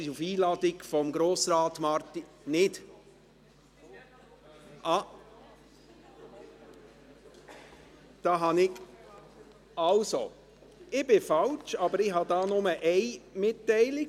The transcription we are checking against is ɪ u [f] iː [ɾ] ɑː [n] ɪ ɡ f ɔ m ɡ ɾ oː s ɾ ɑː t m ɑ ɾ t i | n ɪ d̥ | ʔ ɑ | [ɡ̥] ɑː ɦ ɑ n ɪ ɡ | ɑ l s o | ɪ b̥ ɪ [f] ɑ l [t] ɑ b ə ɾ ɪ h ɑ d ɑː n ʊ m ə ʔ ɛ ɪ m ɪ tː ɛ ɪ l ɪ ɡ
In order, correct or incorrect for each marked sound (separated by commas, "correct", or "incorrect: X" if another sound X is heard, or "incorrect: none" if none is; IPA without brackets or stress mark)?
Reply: correct, incorrect: l, incorrect: d, incorrect: d̥, correct, incorrect: t͡ʃ